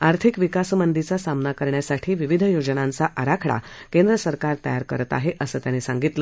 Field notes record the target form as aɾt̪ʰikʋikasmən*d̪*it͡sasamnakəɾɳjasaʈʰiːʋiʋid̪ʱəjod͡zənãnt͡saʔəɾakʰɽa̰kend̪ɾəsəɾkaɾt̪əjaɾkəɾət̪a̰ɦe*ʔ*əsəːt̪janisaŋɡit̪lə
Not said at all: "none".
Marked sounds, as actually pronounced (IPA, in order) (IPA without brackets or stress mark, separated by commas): d̪, ʔ